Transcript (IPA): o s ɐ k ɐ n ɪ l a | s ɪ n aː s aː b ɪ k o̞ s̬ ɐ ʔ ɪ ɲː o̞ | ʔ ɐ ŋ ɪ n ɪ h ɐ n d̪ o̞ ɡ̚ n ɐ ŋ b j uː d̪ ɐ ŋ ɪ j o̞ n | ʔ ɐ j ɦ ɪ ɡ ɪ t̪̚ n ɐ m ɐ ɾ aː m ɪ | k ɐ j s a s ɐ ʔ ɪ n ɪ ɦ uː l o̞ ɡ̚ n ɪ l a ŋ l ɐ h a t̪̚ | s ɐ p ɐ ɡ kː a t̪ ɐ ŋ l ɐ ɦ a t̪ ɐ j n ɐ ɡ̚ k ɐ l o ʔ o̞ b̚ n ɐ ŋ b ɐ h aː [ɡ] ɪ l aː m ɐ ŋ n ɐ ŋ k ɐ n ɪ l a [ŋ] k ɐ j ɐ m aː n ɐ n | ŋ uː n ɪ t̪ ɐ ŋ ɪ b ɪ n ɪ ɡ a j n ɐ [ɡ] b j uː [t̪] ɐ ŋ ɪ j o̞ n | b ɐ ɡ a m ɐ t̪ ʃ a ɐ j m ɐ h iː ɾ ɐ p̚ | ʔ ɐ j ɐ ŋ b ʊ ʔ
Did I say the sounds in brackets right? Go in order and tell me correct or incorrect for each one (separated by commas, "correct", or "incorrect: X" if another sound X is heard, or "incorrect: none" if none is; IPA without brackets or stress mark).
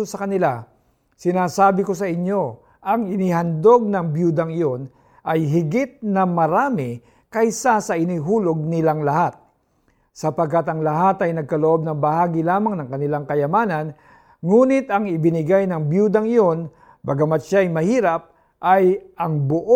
correct, correct, incorrect: ŋ, incorrect: d̪